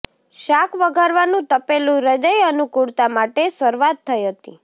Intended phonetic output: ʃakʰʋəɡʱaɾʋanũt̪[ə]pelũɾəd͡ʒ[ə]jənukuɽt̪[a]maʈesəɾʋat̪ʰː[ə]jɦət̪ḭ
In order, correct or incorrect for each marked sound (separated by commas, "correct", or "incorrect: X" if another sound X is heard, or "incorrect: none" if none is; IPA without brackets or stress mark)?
correct, correct, correct, correct